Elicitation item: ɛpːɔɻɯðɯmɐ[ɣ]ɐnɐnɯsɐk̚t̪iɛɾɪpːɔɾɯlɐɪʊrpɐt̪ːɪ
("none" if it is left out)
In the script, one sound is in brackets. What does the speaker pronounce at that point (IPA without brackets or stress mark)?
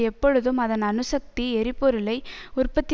ð